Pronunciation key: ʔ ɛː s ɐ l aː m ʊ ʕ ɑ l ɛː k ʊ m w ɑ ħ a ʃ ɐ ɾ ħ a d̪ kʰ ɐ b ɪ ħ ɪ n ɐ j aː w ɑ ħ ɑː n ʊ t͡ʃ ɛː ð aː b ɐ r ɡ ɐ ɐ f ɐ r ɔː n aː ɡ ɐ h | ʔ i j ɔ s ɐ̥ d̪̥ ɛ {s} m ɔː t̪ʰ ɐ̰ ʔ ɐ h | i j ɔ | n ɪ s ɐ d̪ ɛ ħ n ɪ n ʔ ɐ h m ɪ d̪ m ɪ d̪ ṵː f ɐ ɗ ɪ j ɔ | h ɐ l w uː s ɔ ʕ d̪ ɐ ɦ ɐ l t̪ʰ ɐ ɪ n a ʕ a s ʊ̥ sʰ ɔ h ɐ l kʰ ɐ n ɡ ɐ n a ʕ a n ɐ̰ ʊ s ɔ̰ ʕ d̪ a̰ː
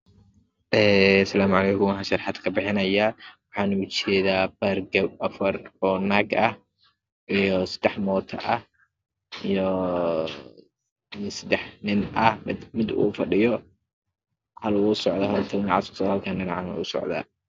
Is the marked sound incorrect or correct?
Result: incorrect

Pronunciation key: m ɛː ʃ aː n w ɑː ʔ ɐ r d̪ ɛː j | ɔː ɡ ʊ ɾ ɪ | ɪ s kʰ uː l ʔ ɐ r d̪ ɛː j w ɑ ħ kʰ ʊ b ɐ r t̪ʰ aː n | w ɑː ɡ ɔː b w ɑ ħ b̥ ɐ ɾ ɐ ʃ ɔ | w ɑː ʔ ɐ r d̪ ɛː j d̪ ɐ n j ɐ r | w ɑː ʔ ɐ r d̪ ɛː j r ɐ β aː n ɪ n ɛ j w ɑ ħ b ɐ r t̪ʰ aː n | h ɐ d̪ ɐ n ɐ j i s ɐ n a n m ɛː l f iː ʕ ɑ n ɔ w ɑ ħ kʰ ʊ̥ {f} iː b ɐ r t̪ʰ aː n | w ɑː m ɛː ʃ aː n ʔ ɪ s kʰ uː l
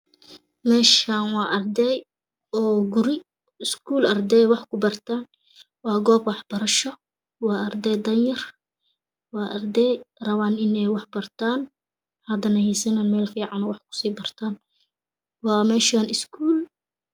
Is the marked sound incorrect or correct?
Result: incorrect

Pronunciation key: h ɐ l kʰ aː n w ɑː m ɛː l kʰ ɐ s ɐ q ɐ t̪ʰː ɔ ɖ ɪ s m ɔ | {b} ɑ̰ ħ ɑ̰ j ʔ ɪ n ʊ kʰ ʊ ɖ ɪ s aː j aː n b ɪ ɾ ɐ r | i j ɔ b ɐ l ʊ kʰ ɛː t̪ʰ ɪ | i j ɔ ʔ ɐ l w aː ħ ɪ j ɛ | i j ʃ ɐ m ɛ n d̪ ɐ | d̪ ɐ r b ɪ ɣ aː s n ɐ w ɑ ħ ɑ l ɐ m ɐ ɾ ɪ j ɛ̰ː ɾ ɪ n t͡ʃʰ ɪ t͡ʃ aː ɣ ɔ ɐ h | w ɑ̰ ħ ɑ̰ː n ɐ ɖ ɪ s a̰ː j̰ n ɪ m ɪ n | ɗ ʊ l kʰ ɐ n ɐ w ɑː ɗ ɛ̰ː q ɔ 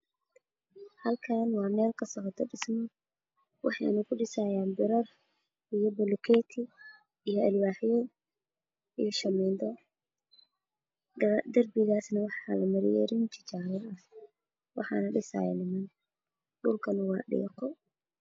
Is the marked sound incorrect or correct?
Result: incorrect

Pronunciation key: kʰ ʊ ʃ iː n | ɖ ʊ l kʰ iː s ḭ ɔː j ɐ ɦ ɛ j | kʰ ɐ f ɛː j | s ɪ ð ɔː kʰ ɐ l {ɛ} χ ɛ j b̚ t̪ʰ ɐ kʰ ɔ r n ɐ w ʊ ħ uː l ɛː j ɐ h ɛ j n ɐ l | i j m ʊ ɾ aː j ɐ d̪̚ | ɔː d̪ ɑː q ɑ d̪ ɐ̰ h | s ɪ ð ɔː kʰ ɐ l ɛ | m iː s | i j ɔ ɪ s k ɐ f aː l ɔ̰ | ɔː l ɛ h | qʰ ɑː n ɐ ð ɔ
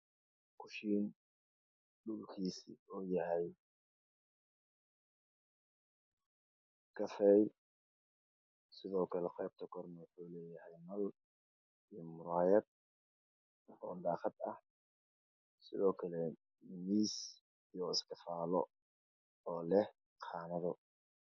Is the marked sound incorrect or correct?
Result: correct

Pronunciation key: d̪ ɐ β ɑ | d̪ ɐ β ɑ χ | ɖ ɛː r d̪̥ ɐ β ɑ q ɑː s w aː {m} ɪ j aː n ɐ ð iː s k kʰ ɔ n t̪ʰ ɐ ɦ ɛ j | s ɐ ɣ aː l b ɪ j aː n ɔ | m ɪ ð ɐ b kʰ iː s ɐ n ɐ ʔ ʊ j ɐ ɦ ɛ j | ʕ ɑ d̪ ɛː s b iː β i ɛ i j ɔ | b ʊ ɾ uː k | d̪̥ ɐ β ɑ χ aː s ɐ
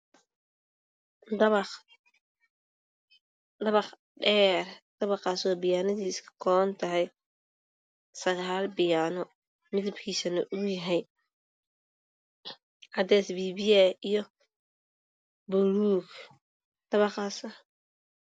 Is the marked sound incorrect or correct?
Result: incorrect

